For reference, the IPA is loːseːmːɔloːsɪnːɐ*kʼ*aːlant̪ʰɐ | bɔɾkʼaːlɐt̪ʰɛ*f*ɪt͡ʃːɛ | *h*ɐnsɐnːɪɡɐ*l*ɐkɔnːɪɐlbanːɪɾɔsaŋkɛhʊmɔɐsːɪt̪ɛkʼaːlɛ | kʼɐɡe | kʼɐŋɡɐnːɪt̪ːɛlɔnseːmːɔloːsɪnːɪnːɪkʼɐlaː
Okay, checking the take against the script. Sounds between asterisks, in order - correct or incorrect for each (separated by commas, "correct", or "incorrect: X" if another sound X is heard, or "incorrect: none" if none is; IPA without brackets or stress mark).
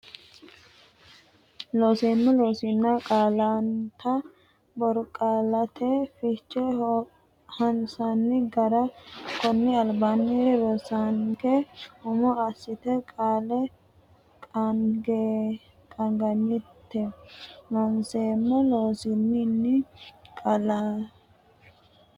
correct, correct, correct, incorrect: ɾ